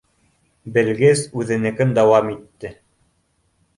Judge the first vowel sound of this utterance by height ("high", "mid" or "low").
mid